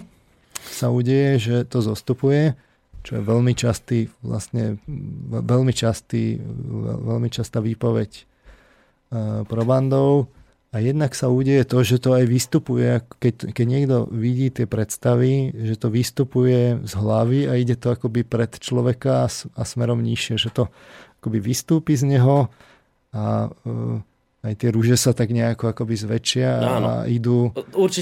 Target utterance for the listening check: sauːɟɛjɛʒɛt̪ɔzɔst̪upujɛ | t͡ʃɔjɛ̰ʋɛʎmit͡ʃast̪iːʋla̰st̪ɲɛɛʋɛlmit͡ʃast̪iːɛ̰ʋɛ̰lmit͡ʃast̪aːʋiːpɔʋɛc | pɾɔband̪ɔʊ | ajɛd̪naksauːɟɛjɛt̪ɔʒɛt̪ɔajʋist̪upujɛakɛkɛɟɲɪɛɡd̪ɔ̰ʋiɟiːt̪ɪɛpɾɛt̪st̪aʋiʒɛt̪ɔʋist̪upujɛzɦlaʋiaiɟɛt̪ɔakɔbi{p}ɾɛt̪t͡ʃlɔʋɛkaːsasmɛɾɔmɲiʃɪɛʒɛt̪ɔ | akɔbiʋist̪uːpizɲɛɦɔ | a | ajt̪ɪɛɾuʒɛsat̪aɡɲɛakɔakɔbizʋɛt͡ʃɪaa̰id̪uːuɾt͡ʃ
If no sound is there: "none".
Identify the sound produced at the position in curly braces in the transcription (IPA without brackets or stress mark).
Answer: p